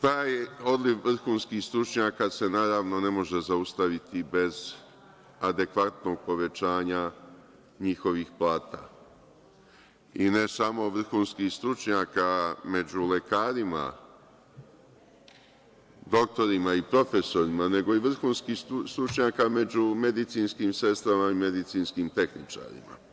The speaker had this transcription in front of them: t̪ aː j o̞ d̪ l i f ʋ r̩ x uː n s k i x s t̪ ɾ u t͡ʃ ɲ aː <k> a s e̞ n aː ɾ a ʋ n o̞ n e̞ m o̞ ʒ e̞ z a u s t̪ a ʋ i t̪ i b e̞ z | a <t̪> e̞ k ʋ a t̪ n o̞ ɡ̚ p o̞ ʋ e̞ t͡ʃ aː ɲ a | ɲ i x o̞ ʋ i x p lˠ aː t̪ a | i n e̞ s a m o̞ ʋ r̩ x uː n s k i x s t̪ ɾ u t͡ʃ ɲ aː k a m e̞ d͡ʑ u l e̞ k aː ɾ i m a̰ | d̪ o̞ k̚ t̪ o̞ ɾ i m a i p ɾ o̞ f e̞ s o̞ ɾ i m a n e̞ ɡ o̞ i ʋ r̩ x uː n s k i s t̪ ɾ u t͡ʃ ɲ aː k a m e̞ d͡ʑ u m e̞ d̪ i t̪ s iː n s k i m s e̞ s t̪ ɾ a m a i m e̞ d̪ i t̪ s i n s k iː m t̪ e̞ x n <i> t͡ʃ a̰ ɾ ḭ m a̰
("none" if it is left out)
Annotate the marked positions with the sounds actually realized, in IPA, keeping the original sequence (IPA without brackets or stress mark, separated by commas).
k, d̪, i